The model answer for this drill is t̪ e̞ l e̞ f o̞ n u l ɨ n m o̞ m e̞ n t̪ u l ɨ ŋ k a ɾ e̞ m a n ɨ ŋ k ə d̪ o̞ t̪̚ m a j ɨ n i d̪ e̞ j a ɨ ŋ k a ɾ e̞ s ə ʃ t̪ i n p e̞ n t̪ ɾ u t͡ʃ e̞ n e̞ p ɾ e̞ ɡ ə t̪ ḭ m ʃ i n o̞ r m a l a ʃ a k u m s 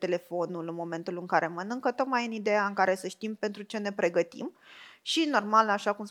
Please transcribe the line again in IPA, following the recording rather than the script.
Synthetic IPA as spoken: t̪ e̞ l e̞ f o̞ n u l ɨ n m o̞ m e̞ n t̪ u l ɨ ŋ k a ɾ e̞ m ə n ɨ ŋ k ə t̪ o̞ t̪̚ m a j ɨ n i d̪ e̞ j a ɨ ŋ k a ɾ e̞ s ə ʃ t̪ i m p e̞ n t̪ ɾ u t͡ʃ e̞ n e̞ p ɾ e̞ ɡ ə t̪ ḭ m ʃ i n o̞ r m a l a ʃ a k u m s